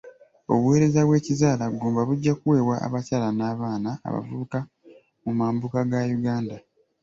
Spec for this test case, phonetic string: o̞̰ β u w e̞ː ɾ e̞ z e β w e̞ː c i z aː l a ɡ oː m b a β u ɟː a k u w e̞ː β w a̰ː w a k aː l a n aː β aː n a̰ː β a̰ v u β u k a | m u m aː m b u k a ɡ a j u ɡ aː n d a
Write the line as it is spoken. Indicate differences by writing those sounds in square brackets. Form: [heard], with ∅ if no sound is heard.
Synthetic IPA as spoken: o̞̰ β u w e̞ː ɾ e̞ z [a] β w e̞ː c i z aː l a ɡ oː m b a β u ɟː a k u w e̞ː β w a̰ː [β] a [c] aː l a n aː β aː n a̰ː β a̰ v u β u k a | m u m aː m b u k a ɡ a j u ɡ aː n d a